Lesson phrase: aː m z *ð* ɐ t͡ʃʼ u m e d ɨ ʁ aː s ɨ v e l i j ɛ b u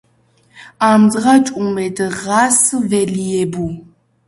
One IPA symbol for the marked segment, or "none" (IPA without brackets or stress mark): ʁ